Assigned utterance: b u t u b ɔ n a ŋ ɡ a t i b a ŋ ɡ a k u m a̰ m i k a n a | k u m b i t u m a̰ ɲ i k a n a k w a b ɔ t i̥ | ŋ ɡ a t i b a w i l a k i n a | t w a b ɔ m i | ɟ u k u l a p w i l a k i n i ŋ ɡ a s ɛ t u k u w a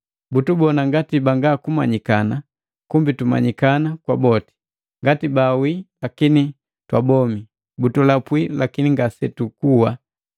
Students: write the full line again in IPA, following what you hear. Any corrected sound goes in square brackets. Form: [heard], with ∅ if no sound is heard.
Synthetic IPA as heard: b u t u b ɔ n a ŋ ɡ a t i b a ŋ ɡ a k u m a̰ [ɲ] i k a n a | k u m b i t u m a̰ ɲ i k a n a k w a b ɔ t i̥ | ŋ ɡ a t i b a w i l a k i n [i] | t w a b ɔ m i | [b] u [t] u l a p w i l a k i n i ŋ ɡ a s ɛ t u k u w a